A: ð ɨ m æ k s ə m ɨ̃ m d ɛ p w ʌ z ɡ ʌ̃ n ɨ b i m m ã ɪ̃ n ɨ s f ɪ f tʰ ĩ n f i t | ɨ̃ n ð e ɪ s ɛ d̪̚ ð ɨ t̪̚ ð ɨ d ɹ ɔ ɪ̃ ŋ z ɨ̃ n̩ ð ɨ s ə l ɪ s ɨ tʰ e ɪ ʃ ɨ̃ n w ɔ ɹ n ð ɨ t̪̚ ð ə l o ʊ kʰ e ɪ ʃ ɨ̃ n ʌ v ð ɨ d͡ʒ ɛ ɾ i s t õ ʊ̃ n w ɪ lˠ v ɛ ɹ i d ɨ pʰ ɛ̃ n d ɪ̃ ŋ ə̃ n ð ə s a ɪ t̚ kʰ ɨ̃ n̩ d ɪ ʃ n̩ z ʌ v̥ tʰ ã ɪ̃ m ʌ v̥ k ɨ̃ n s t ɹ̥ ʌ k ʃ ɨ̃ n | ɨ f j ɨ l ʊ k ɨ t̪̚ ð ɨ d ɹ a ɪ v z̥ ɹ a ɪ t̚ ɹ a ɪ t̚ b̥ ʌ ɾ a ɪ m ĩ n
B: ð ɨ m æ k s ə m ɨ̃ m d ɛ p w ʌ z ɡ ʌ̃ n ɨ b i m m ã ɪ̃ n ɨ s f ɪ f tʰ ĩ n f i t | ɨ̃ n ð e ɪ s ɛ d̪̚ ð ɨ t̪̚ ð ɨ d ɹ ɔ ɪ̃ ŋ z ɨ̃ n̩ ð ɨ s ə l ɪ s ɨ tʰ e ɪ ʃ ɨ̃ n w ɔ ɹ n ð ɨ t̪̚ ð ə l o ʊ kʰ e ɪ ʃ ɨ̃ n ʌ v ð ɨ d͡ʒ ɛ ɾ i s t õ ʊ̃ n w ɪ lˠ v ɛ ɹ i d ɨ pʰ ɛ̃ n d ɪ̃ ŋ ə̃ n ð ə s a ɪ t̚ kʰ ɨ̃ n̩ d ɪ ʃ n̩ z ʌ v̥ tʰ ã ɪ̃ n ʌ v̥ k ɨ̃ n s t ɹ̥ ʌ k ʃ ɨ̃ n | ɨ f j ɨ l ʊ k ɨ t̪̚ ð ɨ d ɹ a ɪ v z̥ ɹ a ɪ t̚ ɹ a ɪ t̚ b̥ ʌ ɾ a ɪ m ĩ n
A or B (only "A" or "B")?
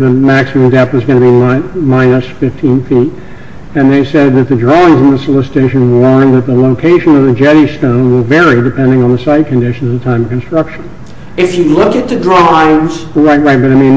A